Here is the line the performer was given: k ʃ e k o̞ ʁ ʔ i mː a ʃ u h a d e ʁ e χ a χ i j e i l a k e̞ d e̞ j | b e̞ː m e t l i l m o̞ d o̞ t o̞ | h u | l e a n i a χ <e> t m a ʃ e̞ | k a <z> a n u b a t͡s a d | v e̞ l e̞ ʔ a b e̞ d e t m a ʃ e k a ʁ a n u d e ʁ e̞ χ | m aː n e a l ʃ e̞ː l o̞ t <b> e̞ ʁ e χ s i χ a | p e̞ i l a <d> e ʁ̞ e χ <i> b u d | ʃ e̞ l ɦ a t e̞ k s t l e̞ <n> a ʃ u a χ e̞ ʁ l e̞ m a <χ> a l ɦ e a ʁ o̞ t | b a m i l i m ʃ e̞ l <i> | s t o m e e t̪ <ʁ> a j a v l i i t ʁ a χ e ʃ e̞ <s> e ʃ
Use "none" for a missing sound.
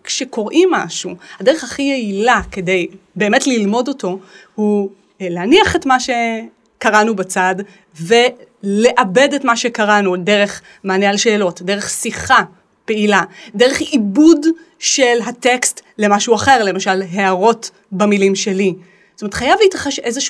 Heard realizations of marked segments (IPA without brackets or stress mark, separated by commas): e, ʁ, d, d, i, m, ʃ, i, χ, z